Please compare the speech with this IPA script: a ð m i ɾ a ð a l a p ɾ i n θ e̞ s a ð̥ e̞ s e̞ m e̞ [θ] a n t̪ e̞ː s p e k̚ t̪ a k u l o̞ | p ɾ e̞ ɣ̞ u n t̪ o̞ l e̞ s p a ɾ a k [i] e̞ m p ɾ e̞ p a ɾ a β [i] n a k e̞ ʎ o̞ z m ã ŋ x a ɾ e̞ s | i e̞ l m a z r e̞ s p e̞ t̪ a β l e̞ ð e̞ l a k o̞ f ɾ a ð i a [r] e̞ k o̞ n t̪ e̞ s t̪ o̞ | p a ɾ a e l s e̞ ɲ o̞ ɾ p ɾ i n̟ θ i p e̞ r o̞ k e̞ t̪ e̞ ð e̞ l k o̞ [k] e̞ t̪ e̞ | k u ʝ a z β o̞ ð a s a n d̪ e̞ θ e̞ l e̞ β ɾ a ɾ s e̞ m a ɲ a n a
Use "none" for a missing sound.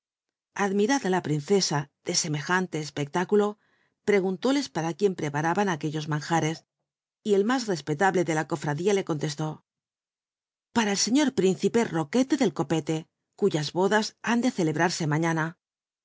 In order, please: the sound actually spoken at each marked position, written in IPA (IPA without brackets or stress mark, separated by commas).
x, j, a, l, p